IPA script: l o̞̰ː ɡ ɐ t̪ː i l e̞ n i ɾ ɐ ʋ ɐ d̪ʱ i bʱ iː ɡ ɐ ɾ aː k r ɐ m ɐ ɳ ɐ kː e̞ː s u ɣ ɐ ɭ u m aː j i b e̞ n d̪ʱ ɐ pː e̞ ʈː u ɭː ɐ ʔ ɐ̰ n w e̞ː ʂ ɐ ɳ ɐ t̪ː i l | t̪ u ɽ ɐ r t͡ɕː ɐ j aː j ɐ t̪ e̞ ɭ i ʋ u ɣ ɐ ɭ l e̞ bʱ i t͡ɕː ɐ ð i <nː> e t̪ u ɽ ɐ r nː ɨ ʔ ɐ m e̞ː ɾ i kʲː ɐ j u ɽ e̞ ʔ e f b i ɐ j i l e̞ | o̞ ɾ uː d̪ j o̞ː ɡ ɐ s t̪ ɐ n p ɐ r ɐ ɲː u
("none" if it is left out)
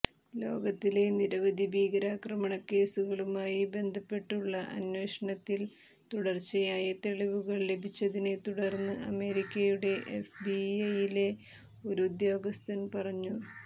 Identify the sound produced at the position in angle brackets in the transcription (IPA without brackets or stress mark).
n